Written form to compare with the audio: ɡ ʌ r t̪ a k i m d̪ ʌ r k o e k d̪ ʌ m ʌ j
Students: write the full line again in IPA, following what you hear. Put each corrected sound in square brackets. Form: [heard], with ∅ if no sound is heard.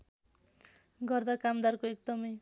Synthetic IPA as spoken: ɡ ʌ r [d̪] a k [a] m d̪ [a] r k o e k d̪ ʌ m ʌ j